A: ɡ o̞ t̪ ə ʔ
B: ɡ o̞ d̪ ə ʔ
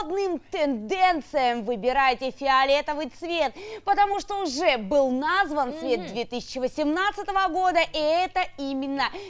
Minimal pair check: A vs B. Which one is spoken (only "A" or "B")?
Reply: B